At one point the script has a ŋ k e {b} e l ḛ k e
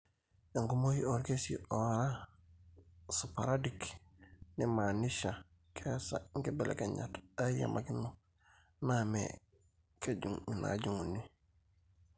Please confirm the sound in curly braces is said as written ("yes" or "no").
yes